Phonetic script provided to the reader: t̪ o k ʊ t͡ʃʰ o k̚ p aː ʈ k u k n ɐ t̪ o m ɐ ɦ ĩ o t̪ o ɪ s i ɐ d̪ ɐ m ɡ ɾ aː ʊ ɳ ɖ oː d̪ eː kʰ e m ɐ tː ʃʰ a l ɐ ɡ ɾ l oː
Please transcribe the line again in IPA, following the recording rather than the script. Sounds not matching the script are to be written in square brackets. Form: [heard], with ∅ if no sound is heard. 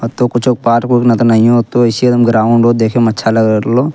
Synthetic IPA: t̪ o k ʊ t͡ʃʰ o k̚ p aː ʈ k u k n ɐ t̪ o [n] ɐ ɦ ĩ o t̪ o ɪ s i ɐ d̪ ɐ m ɡ ɾ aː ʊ ɳ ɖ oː d̪ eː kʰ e m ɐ tː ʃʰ a l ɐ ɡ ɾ l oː